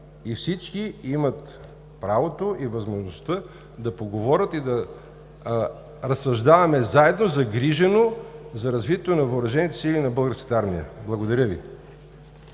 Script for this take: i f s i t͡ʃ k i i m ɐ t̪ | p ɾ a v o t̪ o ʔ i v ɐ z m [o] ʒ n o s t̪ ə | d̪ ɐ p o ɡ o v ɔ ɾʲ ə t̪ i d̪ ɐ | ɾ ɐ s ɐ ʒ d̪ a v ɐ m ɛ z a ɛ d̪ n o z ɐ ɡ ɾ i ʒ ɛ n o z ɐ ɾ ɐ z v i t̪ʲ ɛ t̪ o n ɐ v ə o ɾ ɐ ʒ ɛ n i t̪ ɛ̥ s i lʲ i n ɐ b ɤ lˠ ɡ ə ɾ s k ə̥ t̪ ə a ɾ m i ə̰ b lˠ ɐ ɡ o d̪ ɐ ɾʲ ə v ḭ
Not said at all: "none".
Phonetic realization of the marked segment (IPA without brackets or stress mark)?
o